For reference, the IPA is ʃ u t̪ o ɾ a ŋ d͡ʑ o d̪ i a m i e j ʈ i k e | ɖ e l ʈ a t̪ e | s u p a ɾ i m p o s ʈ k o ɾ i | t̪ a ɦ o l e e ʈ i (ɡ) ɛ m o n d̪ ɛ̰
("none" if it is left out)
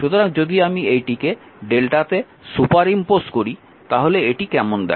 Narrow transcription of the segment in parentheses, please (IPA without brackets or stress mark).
k